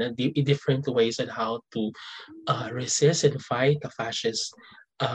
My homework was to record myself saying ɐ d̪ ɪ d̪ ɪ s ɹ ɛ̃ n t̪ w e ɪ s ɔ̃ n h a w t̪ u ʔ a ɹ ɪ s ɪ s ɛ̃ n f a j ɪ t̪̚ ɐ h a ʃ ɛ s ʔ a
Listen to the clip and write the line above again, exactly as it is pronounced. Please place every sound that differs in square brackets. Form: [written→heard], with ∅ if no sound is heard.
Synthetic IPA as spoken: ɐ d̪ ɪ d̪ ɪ [s→f] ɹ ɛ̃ n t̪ w e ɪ s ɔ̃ n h a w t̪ u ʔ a ɹ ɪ s ɪ s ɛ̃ n f a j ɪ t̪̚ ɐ [h→f] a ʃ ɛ s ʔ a